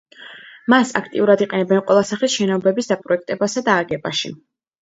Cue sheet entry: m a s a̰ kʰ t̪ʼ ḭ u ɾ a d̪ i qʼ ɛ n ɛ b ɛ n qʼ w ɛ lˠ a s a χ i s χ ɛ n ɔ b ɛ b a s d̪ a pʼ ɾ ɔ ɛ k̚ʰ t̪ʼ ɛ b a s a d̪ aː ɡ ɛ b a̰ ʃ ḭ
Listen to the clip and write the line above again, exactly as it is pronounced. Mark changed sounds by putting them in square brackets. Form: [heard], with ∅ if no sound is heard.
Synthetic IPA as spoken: m a s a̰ kʰ t̪ʼ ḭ u ɾ a d̪ i qʼ ɛ n ɛ b ɛ n qʼ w ɛ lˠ a s a χ i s [ʃ] ɛ n ɔ b ɛ b [i] s d̪ a pʼ ɾ ɔ ɛ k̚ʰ t̪ʼ ɛ b a s a d̪ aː ɡ ɛ b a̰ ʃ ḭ